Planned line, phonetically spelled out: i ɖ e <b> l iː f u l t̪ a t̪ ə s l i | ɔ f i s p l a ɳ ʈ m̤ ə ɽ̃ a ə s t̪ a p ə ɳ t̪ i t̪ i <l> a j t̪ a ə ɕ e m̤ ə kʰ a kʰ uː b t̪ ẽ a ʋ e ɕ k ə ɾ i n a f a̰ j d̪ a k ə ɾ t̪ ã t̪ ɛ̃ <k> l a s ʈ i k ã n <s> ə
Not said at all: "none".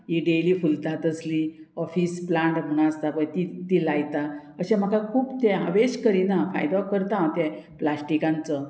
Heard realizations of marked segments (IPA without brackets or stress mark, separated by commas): none, l, p, t͡s